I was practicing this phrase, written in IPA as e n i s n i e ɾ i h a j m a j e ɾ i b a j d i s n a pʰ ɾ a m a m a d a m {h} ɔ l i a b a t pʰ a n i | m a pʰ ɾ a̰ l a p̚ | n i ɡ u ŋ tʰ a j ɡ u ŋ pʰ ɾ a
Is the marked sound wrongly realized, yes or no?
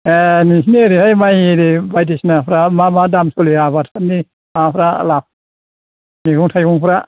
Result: yes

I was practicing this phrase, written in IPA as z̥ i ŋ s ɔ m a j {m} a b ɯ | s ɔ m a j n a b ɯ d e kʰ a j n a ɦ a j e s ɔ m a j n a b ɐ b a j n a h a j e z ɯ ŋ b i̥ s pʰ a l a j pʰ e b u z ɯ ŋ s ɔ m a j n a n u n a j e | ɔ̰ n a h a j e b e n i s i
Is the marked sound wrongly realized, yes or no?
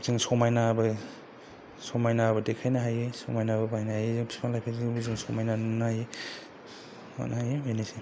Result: yes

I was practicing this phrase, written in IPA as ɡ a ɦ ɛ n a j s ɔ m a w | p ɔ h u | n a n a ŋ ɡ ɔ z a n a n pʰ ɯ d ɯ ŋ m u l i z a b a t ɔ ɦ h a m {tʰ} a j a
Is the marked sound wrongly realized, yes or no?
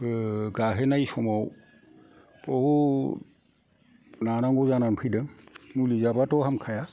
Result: yes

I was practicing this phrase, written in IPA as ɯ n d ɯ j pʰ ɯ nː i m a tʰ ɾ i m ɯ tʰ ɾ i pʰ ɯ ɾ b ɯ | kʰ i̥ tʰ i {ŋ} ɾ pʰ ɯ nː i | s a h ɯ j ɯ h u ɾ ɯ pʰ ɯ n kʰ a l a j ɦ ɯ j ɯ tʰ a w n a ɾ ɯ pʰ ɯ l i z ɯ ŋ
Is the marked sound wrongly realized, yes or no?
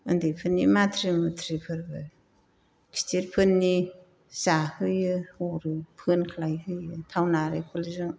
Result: yes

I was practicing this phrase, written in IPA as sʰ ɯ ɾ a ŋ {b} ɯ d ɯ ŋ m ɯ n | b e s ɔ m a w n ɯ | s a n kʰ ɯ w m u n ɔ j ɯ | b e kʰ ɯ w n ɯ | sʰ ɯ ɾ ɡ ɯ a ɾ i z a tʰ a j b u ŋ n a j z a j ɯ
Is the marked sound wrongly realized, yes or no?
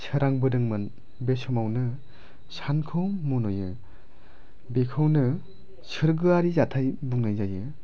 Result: no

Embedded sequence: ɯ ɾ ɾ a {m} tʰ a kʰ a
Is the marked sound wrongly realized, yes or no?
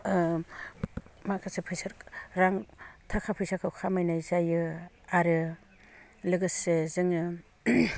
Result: yes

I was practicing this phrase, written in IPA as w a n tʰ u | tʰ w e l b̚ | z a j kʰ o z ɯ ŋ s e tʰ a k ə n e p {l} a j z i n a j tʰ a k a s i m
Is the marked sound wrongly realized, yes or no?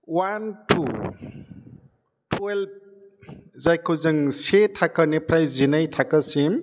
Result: yes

